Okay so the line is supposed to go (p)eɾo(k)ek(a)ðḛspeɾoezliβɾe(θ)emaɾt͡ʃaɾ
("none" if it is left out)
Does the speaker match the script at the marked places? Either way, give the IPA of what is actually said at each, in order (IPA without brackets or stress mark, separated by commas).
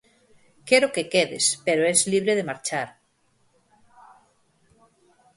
k, k, e, ð